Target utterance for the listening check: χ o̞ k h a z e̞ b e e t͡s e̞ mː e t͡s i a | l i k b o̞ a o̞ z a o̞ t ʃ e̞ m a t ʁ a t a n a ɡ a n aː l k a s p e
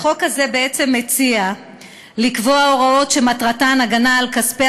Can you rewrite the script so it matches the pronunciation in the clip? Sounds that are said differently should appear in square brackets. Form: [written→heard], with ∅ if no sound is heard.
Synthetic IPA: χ o̞ k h a z e̞ b e e t͡s e̞ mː e t͡s i a | l i k [b→v] o̞ a o̞ [z→ʁ] a o̞ t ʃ e̞ m a t ʁ a t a n a ɡ a n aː l k a s p e